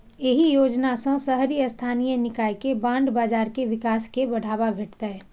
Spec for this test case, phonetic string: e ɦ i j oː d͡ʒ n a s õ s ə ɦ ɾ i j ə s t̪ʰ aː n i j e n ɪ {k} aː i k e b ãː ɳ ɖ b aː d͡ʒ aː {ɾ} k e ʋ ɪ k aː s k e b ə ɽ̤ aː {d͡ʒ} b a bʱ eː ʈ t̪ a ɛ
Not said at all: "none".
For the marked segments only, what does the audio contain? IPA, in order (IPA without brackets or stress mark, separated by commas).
k, ɾ, none